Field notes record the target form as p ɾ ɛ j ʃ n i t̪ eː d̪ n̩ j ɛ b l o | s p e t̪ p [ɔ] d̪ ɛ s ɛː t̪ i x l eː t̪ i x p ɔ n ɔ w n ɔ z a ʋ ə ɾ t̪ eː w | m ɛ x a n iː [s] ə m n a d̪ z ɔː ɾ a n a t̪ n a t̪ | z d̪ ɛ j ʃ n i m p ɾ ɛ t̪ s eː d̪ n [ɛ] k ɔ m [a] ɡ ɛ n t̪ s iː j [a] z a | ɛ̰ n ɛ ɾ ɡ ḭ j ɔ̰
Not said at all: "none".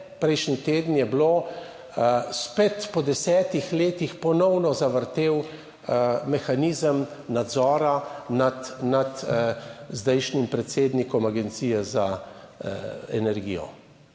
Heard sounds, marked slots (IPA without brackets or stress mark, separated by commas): ɔ, z, i, a, ɛ